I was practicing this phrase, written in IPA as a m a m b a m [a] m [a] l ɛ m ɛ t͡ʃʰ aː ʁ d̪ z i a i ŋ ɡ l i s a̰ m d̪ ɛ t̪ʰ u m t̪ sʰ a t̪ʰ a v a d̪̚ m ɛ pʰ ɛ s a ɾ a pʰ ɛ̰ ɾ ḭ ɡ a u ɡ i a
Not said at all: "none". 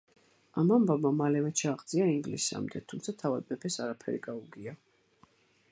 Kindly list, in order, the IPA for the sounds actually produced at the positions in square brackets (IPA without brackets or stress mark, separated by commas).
a, a